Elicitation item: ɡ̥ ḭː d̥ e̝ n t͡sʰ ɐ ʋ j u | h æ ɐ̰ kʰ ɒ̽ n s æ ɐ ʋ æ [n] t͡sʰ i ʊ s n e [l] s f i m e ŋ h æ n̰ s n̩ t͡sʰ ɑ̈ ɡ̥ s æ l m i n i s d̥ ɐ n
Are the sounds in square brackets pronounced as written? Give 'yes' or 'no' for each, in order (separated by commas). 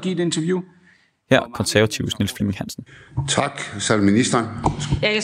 no, yes